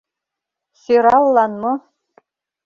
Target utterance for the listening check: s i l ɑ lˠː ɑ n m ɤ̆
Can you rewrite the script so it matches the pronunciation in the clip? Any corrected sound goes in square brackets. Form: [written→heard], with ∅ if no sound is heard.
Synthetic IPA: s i [l→ɾ] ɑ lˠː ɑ n m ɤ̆